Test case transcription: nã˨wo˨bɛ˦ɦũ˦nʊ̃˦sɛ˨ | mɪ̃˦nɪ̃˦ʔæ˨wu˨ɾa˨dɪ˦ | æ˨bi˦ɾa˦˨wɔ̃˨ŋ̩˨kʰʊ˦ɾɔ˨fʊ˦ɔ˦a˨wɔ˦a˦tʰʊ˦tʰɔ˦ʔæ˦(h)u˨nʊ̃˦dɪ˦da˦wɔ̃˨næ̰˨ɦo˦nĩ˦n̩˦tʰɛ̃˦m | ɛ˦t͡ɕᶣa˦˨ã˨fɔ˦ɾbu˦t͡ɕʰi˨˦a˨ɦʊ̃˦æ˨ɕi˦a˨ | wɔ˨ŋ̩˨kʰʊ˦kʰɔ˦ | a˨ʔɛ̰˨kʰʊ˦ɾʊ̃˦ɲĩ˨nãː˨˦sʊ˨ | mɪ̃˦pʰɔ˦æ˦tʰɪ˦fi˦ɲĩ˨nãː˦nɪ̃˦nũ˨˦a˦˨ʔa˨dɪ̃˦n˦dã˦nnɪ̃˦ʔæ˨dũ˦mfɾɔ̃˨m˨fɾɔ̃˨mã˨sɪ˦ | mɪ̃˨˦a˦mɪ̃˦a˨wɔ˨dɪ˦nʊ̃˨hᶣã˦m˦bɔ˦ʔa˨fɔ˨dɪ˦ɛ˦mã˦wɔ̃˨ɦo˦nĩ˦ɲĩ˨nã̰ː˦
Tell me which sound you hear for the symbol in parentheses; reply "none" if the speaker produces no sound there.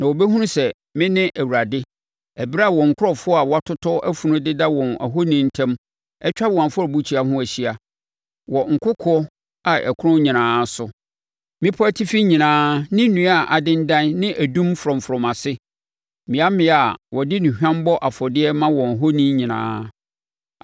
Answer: f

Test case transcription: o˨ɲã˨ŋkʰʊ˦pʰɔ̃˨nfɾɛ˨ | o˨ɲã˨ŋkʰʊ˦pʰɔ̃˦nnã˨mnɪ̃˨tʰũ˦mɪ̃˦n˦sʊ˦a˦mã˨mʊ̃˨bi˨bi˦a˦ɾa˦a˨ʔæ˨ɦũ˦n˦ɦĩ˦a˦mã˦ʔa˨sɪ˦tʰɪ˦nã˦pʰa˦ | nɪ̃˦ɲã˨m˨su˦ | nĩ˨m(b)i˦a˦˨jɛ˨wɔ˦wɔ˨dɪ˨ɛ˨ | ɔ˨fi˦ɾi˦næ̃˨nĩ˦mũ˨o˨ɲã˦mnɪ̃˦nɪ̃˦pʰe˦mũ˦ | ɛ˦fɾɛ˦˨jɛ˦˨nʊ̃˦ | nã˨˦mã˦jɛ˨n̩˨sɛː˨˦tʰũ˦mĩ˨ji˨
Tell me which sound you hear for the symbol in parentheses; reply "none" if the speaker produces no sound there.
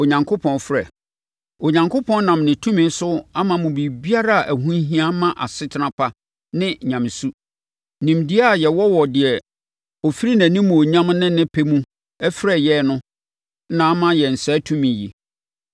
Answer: d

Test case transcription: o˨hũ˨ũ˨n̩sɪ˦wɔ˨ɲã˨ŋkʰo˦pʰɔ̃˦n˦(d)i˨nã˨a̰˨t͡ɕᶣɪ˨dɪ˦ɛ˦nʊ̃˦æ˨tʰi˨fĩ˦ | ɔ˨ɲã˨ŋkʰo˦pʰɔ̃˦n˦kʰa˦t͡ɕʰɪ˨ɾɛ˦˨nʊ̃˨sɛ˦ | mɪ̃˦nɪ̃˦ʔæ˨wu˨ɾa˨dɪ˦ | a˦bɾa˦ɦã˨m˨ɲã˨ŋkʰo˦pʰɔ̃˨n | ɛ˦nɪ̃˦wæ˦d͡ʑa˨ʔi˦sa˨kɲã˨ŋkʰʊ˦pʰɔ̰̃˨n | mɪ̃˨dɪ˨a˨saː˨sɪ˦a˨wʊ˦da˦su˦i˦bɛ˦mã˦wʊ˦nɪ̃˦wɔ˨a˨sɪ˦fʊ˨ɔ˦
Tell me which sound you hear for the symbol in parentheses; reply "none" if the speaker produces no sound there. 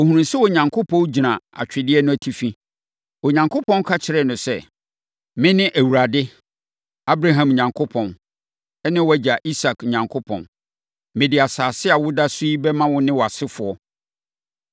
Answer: d͡ʑ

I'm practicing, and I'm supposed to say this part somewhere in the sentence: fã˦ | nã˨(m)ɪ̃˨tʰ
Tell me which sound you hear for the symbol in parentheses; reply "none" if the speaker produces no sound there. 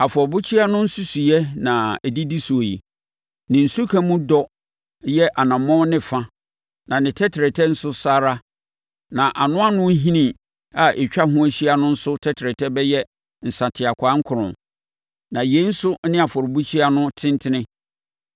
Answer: n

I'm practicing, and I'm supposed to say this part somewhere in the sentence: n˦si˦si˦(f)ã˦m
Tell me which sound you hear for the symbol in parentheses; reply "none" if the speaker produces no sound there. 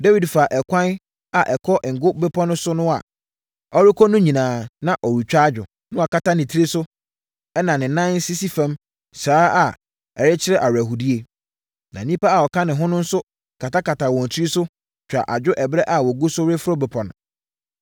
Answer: f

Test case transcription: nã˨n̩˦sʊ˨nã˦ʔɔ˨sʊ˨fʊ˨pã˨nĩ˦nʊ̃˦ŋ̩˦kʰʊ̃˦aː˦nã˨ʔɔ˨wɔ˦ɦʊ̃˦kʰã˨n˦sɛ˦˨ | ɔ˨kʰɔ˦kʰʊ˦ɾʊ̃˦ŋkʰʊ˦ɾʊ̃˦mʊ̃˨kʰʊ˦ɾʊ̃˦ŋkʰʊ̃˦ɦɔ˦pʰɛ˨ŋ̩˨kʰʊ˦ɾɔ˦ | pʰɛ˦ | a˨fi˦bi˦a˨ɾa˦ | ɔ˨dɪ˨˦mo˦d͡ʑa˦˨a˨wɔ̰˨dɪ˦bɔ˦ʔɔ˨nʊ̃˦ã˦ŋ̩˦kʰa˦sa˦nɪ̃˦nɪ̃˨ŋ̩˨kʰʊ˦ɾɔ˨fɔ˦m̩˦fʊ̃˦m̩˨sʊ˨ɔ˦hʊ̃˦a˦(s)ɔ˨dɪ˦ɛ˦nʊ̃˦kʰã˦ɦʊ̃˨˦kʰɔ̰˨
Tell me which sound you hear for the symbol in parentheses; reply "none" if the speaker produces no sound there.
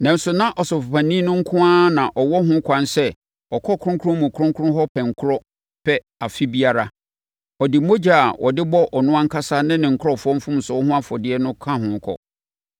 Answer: f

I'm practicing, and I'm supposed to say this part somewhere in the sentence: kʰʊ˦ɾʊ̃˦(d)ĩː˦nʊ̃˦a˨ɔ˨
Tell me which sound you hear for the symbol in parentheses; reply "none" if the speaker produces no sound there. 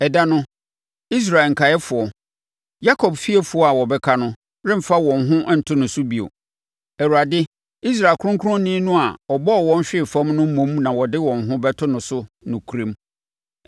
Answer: n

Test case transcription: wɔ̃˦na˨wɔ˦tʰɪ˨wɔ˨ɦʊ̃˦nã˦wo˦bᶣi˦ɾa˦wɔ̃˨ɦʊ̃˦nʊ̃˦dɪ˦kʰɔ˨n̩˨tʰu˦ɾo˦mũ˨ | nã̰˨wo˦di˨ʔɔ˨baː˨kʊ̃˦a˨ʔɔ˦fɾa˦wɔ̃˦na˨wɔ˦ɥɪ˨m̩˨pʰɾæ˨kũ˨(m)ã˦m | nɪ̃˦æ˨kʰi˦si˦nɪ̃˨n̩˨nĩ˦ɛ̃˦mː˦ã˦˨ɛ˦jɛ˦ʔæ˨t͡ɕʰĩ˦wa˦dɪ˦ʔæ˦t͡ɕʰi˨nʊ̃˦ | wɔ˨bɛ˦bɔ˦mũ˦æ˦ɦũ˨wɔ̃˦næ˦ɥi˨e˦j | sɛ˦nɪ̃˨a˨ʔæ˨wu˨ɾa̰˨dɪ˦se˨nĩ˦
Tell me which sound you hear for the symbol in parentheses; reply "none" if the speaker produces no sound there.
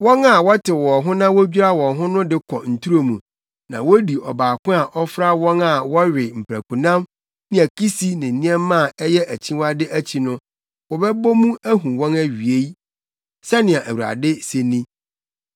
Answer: n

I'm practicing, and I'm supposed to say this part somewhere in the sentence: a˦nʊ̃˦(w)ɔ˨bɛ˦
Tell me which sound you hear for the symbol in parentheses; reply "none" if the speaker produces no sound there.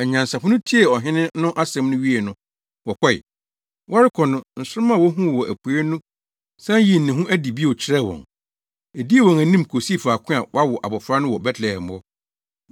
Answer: w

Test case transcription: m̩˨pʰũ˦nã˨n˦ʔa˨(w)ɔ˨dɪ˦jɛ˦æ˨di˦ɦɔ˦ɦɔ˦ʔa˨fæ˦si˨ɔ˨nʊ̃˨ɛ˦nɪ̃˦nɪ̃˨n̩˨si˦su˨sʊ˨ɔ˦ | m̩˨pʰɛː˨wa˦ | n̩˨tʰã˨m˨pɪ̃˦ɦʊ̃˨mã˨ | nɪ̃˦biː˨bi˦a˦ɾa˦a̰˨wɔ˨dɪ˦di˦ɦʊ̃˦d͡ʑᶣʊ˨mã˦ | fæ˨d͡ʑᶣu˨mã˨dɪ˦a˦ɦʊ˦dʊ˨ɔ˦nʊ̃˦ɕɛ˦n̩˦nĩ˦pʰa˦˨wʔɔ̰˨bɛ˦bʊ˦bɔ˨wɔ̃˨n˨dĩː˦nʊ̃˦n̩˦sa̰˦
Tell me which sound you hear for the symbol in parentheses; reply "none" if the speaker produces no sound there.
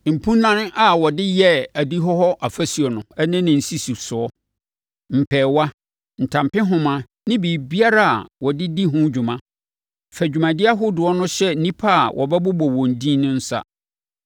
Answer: w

